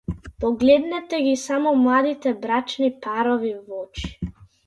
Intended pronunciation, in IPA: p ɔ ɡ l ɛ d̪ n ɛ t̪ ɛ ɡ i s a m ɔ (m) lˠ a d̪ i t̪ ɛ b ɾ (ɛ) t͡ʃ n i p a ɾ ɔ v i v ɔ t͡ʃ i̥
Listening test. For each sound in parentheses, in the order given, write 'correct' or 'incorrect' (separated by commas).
correct, incorrect